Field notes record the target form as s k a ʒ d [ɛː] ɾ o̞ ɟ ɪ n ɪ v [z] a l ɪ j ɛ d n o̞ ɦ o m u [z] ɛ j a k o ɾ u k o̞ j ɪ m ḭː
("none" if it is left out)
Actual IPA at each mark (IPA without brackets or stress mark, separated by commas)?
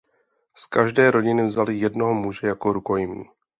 ɛː, z, ʒ